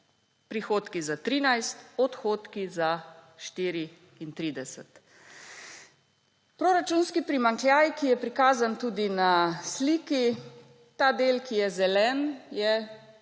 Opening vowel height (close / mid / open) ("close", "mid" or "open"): close